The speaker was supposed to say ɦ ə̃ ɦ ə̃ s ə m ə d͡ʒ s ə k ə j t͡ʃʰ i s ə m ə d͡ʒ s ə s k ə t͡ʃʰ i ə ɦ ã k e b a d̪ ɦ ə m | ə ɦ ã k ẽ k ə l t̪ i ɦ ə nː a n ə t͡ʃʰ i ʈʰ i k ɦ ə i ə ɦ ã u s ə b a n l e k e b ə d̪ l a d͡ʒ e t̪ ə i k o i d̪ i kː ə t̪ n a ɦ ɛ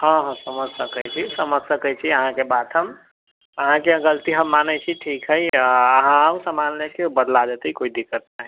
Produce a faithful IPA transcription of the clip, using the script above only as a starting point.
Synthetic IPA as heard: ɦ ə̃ ɦ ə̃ s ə m ə d͡ʒ s ə k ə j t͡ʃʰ i s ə m ə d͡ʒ s ə k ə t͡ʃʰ i ə ɦ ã k e b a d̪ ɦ ə m | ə ɦ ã k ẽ ɡ ə l t̪ i ɦ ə mː a n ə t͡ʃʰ i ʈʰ i k ɦ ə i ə ɦ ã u s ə m a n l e k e b ə d̪ l a d͡ʒ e t̪ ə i k o i d̪ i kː ə t̪ n a ɦ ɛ